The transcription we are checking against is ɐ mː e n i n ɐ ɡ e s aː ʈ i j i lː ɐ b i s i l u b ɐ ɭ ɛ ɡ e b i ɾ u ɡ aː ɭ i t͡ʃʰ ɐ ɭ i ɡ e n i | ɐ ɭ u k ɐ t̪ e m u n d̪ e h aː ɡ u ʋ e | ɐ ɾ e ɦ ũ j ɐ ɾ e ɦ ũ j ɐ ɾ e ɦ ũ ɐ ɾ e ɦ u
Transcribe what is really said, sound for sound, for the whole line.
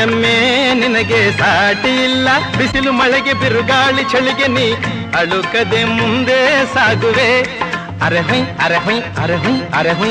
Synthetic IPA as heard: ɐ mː e n i n ɐ ɡ e s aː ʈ i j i lː ɐ b i s i l u m ɐ ɭ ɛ ɡ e b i ɾ u ɡ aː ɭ i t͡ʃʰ ɐ ɭ i ɡ e n i | ɐ ɭ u k ɐ d̪ e m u n d̪ e s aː ɡ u ʋ e | ɐ ɾ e ɦ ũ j ɐ ɾ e ɦ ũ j ɐ ɾ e ɦ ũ ɐ ɾ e ɦ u